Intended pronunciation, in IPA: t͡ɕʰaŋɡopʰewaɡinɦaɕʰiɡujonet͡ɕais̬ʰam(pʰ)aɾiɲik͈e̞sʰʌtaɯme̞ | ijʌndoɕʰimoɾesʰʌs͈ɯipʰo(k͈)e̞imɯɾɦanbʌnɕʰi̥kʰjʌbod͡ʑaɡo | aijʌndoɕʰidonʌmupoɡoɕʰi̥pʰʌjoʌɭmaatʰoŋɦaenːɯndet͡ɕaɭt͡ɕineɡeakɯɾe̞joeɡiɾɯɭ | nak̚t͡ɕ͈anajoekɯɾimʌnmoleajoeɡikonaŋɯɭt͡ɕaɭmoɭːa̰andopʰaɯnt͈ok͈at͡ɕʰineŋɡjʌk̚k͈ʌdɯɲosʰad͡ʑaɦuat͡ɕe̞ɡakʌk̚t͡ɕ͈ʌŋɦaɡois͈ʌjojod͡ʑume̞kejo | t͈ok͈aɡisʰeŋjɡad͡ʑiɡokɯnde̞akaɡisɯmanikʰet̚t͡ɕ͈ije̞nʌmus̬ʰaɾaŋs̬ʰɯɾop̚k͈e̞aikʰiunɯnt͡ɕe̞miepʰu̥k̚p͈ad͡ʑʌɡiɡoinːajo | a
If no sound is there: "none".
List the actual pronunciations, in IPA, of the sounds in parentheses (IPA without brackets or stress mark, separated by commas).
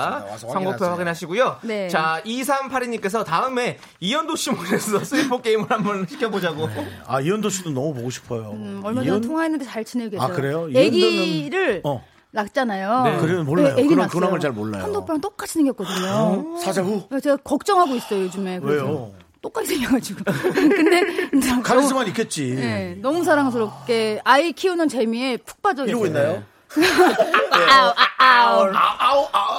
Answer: pʰ, k͈